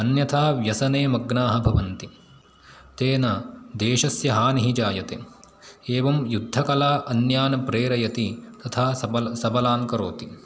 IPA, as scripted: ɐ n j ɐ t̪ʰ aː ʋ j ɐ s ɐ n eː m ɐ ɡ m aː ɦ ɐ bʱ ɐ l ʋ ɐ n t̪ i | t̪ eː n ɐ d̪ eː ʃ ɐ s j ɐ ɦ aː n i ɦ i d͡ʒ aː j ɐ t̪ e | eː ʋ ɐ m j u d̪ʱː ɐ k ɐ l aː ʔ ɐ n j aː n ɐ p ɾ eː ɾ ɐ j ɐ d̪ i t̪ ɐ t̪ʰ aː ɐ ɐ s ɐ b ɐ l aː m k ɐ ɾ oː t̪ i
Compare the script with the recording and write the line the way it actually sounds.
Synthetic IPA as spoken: ɐ n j ɐ t̪ʰ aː ʋ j ɐ s ɐ n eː m ɐ ɡ n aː ɦ ɐ bʱ ɐ ʋ ɐ n t̪ i | t̪ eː n ɐ d̪ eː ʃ ɐ s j ɐ ɦ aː n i ɦ i d͡ʒ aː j ɐ t̪ e | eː ʋ ɐ m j u d̪ʱː ɐ k ɐ l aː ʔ ɐ n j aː n ɐ p ɾ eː ɾ ɐ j ɐ t̪ i t̪ ɐ t̪ʰ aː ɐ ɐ s ɐ b ɐ l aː ŋ k ɐ ɾ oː t̪ i

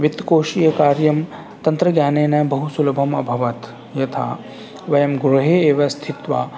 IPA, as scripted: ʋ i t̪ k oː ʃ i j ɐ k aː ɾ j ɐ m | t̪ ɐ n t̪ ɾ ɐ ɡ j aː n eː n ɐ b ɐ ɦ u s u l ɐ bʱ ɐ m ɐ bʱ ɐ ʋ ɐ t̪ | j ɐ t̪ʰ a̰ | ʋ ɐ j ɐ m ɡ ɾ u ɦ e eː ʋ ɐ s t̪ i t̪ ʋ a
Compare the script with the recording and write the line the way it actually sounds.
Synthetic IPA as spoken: ʋ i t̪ k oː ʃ i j ɐ k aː ɾ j ɐ m | t̪ ɐ n t̪ ɾ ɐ ɡ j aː n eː n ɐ b ɐ ɦ u s u l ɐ bʱ ɐ m ɐ bʱ ɐ ʋ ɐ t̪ | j ɐ t̪ʰ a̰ | ʋ ɐ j ɐ m ɡ ɾ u ɦ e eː ʋ ɐ s t̪ʰ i t̪ ʋ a

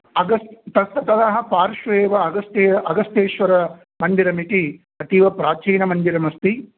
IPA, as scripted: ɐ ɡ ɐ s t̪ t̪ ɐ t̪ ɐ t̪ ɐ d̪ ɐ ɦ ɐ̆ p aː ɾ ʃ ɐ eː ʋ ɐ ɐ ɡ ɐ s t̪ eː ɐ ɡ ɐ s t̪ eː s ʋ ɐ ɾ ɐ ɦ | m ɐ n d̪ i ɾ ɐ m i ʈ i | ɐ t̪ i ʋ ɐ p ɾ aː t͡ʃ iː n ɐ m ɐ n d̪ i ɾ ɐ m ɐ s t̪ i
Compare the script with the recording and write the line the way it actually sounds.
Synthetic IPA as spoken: ɐ ɡ ɐ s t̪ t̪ ɐ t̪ ɐ t̪ ɐ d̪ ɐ ɦ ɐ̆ p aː ɾ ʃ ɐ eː ʋ ɐ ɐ ɡ ɐ s t̪ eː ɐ ɡ ɐ s t̪ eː ʃ ʋ ɐ ɾ ɐ | m ɐ n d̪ i ɾ ɐ m i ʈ i | ɐ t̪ i ʋ ɐ p ɾ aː t͡ʃ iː n ɐ m ɐ n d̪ i ɾ ɐ m ɐ s t̪ i

